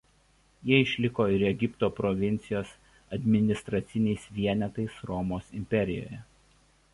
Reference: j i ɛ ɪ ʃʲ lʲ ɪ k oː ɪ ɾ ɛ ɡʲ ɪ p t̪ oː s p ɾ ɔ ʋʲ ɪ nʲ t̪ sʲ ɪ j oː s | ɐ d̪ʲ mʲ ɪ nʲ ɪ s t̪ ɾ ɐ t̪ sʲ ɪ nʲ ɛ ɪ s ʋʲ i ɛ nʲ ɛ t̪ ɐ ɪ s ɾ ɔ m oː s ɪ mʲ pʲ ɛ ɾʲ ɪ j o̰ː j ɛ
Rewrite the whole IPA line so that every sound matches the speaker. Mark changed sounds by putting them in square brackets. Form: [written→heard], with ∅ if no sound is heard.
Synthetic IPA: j i ɛ ɪ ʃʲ lʲ ɪ k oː ɪ ɾ ɛ ɡʲ ɪ p t̪ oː [s→∅] p ɾ ɔ ʋʲ ɪ nʲ t̪ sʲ ɪ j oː s | ɐ d̪ʲ mʲ ɪ nʲ ɪ s t̪ ɾ ɐ t̪ sʲ ɪ nʲ ɛ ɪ s ʋʲ i ɛ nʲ ɛ t̪ ɐ ɪ s ɾ ɔ m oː s ɪ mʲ pʲ ɛ ɾʲ ɪ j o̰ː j ɛ